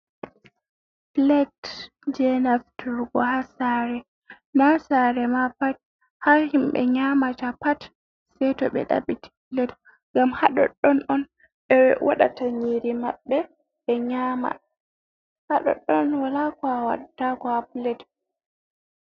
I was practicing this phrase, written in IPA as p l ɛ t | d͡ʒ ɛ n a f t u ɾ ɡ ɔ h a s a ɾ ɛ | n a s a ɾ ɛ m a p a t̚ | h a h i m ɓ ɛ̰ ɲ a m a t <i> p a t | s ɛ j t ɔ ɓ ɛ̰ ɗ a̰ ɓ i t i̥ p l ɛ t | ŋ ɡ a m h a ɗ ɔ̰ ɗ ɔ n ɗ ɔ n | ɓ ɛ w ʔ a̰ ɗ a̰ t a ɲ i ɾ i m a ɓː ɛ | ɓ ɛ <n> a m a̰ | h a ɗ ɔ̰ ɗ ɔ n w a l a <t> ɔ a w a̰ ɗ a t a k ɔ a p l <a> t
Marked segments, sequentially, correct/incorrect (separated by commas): incorrect, incorrect, incorrect, incorrect